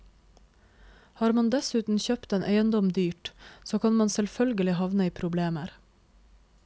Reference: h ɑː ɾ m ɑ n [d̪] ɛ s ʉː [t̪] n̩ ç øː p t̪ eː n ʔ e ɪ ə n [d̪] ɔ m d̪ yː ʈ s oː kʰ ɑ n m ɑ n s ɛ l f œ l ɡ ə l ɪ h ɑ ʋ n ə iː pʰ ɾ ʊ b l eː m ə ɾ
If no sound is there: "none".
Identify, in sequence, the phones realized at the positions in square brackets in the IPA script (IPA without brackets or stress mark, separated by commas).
d̪, t̪, d̪